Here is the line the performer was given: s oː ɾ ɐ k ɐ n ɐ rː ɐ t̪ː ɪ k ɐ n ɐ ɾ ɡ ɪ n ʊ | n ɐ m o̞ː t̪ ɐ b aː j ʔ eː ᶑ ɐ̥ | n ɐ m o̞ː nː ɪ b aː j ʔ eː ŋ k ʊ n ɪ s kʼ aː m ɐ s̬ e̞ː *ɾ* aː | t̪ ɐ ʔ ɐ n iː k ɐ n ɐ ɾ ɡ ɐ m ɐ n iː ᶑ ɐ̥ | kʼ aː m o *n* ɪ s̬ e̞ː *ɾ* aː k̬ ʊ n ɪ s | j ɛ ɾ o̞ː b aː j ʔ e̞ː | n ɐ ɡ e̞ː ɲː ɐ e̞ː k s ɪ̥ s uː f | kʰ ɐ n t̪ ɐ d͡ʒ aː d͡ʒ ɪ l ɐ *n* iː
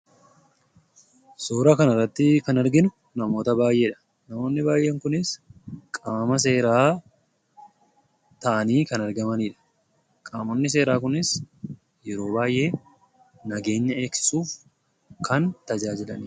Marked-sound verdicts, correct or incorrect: correct, incorrect: nː, correct, correct

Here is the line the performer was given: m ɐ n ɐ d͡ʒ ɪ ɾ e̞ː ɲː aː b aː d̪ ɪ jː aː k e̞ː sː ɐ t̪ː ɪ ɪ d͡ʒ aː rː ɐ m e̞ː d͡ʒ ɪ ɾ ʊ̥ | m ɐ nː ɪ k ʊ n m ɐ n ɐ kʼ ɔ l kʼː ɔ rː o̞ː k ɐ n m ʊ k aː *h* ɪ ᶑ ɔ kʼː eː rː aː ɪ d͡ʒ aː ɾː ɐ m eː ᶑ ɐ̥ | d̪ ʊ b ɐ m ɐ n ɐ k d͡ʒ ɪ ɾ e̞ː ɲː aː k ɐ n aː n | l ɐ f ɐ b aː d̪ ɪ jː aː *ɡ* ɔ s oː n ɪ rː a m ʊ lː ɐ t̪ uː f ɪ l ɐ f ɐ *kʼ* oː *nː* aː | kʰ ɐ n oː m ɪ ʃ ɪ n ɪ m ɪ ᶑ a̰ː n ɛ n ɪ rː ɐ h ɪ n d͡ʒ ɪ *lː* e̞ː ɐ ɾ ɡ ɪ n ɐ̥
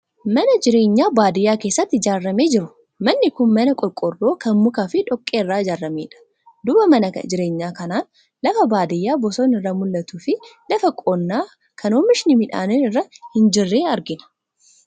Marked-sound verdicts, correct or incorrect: incorrect: f, incorrect: b, correct, correct, incorrect: rː

